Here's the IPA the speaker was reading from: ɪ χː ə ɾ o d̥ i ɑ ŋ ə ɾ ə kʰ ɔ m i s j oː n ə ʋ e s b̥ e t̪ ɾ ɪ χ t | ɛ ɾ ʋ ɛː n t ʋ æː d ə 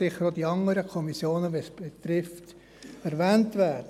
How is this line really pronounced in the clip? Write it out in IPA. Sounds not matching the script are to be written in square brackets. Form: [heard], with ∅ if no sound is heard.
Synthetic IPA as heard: ɪ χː ə ɾ o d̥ i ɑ ŋ ə ɾ ə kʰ ɔ m i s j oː n ə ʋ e s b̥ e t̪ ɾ ɪ [f] t | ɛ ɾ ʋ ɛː n t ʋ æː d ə